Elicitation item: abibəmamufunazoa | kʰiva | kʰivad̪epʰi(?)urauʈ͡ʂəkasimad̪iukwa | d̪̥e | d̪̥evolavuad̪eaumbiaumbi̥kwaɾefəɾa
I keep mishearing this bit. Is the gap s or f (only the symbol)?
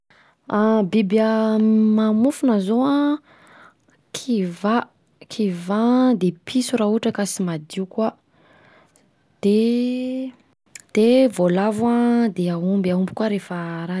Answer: s